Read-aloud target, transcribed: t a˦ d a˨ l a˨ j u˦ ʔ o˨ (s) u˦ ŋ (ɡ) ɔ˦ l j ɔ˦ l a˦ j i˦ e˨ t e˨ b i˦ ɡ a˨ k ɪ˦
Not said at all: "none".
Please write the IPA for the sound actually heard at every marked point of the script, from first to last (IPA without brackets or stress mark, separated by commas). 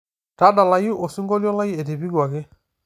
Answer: s, ɡ